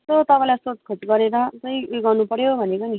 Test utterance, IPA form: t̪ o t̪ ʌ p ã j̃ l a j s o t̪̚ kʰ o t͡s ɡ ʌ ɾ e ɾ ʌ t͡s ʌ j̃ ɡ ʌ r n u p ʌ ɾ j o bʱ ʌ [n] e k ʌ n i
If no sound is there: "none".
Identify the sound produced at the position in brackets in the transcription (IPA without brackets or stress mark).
n